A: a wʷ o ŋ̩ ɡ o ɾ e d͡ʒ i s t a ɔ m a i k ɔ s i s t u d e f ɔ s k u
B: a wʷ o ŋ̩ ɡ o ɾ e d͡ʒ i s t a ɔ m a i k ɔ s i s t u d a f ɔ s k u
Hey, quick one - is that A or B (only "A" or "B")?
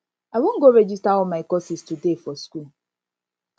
A